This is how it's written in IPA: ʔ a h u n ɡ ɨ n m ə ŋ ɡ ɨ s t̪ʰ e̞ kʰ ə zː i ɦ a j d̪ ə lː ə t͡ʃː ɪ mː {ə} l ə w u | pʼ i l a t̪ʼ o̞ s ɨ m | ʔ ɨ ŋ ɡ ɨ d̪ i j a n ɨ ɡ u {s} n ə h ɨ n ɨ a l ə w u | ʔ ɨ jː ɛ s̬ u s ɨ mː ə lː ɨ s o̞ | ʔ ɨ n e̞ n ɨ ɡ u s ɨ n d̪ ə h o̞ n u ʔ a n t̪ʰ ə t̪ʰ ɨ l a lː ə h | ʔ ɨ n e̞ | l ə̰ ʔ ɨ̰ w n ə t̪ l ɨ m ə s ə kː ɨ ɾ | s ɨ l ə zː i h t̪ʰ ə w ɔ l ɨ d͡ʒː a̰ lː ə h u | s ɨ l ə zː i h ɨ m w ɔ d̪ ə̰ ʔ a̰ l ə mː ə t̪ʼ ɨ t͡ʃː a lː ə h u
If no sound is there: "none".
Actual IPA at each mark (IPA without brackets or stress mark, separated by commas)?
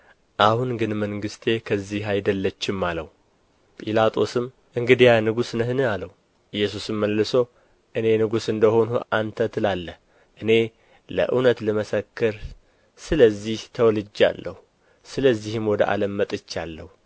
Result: a, s